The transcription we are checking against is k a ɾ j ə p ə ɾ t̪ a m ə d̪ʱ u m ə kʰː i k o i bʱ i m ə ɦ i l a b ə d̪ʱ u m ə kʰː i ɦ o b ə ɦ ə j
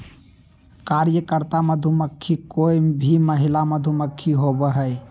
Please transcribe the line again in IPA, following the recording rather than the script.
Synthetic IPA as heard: k a ɾ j ə k ə ɾ t̪ a m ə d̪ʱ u m ə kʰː i k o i bʱ i m ə ɦ i l a m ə d̪ʱ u m ə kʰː i ɦ o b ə ɦ ə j